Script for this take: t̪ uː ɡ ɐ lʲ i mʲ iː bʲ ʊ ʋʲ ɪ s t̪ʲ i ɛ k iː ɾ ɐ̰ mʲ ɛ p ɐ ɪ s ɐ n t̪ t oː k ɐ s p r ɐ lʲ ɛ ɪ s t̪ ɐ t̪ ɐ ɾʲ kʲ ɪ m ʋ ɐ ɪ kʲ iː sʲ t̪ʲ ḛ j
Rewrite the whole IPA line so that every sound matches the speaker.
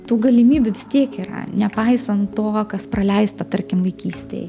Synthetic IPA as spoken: t̪ uː ɡ ɐ lʲ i mʲ iː bʲ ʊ ʋʲ ɪ s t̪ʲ i ɛ k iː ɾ ɐ̰ nʲ ɛ p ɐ ɪ s ɐ n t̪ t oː k ɐ s p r ɐ lʲ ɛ ɪ s t̪ ɐ t̪ ɐ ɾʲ kʲ ɪ m ʋ ɐ ɪ kʲ iː sʲ t̪ʲ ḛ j